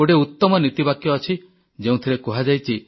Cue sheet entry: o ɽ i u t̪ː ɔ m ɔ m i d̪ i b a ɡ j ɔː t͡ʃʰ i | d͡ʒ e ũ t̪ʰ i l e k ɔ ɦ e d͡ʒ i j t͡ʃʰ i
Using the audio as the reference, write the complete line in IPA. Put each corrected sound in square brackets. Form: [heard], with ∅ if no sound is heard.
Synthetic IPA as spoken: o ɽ [e] u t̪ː ɔ m ɔ [n] i [t̪] i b a [k] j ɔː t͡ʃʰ i | d͡ʒ e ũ t̪ʰ i [ɾ] e k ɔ ɦ [a] d͡ʒ [a] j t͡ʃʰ i